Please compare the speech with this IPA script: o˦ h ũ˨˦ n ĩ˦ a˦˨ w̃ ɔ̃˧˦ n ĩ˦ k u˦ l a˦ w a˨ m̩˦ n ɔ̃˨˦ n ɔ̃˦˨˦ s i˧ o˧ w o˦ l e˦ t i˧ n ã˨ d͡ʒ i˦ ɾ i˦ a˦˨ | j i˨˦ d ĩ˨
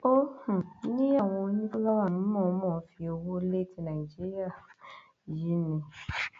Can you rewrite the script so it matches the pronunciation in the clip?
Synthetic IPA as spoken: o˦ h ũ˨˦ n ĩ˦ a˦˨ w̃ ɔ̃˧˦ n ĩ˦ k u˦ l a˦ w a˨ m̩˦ m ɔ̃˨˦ m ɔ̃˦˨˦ f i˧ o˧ w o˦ l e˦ t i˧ n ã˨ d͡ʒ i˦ ɾ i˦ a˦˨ | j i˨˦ n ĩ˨